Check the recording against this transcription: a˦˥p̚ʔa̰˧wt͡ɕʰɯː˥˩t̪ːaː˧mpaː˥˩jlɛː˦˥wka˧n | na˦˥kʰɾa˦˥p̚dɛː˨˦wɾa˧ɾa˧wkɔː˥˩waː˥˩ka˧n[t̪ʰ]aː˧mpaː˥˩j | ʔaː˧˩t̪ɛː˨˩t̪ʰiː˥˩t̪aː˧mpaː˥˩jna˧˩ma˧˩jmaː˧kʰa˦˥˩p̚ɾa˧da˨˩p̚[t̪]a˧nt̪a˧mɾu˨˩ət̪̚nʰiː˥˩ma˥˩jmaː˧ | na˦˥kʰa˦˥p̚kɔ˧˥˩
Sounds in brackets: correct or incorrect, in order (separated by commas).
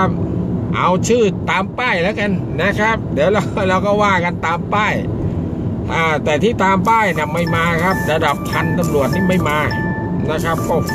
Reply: incorrect, incorrect